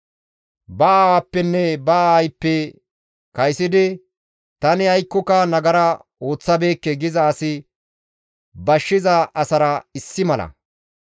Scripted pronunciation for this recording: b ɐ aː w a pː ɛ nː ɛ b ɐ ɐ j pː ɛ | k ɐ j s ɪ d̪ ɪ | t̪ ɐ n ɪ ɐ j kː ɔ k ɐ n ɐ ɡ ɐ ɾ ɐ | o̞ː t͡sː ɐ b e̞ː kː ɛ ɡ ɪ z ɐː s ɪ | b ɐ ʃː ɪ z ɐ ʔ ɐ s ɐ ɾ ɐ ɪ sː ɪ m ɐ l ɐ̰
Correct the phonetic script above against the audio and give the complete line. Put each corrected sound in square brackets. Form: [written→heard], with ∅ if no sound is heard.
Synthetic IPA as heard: b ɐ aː w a pː ɛ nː ɛ b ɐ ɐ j pː ɛ | k ɐ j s ɪ d̪ ɪ | t̪ ɐ n ɪ ɐ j kː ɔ k ɐ n ɐ ɡ ɐ ɾ ɐ | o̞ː t͡sː ɐ b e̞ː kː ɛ ɡ ɪ z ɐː s ɪ | b ɐ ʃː ɪ z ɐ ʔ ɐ s ɐ ɾ ɐ ɪ sː ɪ m ɐ l ɐ̰